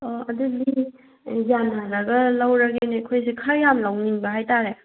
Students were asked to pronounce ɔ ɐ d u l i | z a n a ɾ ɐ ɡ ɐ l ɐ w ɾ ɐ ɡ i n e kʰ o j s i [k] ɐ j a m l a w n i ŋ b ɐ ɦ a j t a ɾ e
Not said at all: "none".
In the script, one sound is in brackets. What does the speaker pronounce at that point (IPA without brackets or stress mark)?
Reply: kʰ